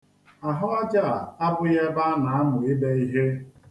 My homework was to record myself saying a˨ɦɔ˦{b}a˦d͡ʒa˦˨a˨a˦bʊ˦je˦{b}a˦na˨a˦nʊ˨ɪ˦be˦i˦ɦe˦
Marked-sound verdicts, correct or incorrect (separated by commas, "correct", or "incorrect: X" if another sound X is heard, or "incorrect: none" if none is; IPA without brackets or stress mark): incorrect: none, correct